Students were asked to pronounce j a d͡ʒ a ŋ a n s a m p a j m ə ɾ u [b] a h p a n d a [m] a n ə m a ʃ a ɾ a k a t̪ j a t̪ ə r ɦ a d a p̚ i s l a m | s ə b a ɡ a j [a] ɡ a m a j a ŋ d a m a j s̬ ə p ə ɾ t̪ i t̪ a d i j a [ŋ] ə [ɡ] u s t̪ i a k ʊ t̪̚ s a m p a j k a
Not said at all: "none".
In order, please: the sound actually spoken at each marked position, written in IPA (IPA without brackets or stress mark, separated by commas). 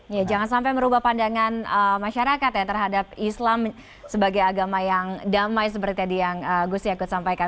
b, ŋ, a, ŋ, ɡ